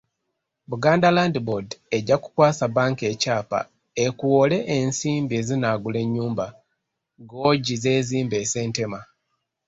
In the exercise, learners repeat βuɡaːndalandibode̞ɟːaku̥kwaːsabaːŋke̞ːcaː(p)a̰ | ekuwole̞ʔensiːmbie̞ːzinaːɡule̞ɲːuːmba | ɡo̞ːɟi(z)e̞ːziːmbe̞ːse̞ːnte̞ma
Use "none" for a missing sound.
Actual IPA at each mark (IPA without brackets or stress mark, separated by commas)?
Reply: p, z